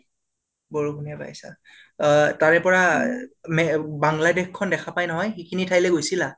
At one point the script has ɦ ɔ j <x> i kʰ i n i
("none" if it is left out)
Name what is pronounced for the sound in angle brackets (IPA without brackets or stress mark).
x